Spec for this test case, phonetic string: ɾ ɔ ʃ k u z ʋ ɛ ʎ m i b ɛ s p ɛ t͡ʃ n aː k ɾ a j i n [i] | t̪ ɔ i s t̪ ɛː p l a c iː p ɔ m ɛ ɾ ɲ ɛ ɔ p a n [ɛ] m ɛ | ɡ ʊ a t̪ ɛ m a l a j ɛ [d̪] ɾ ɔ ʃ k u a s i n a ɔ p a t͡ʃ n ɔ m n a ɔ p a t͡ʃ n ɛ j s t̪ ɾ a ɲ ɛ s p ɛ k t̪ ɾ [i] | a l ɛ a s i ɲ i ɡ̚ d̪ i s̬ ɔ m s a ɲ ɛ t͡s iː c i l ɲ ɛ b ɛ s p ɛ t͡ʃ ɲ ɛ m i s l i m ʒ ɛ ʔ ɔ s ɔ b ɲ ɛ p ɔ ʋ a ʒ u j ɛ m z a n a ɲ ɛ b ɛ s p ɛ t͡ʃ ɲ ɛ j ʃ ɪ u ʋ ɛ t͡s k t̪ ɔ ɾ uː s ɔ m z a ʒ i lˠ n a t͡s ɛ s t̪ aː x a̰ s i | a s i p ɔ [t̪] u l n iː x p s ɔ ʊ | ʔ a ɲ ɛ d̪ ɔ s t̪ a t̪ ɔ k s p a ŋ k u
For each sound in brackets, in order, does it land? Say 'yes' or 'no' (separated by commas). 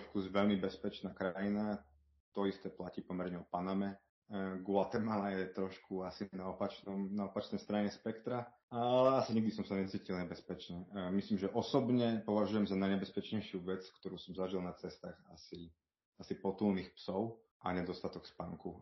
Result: no, no, no, no, yes